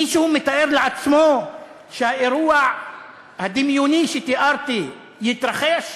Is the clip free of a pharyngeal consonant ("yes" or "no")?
no